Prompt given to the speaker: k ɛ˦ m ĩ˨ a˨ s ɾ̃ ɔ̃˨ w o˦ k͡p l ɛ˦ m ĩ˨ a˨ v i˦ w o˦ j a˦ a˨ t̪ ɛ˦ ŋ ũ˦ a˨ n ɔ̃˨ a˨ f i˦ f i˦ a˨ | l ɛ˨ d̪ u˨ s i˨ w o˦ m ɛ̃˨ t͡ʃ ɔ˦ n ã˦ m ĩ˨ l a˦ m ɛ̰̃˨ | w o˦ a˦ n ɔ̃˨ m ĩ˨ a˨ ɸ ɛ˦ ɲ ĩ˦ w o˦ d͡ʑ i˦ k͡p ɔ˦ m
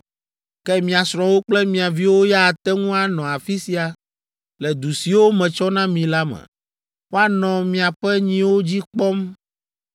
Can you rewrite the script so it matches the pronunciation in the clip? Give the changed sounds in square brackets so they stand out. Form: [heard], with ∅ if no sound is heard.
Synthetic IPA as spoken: k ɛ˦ m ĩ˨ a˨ s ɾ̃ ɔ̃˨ w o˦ k͡p l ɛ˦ m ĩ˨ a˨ v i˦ w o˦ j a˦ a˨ t̪ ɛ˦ ŋ ũ˦ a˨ n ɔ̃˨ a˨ f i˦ [s] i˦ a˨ | l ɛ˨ d̪ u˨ s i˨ w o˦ m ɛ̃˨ t͡ʃ ɔ˦ n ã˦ m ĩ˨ l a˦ m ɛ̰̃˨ | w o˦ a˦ n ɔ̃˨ m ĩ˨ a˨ ɸ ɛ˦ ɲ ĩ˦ w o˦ d͡ʑ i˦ k͡p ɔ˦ m